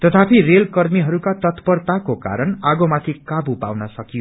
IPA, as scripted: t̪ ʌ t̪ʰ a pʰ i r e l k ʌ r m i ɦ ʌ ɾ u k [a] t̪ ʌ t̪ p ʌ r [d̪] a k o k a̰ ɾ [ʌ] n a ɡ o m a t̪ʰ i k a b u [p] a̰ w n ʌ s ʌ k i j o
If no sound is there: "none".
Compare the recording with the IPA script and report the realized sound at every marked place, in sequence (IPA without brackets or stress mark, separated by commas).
a, t̪, ʌ, p